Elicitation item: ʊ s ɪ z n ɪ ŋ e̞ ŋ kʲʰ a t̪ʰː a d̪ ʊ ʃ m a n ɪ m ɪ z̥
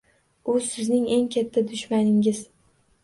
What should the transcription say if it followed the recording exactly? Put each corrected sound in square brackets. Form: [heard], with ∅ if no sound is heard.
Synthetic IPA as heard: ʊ s ɪ z n ɪ ŋ e̞ ŋ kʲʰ a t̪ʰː a d̪ ʊ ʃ m a n ɪ [ŋ] ɪ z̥